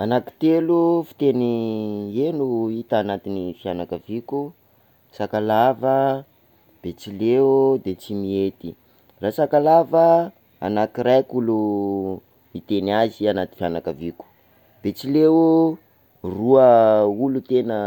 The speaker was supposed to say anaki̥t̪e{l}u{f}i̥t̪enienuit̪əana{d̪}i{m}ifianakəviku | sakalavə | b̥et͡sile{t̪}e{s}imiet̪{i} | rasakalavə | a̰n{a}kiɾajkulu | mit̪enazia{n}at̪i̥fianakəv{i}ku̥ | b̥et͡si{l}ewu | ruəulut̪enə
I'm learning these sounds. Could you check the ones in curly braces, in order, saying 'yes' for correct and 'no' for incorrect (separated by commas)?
yes, yes, no, no, no, no, yes, yes, yes, yes, yes